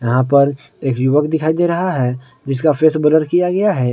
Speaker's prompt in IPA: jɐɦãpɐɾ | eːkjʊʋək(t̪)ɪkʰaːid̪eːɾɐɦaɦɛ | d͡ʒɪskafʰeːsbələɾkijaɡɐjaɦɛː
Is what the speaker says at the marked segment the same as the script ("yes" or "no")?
no